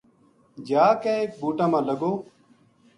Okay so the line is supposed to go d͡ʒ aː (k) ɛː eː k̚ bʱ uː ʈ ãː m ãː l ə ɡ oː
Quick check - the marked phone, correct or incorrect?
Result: correct